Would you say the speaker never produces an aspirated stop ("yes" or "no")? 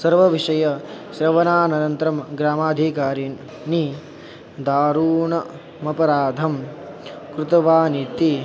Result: yes